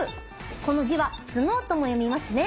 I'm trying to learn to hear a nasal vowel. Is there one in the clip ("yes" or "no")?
no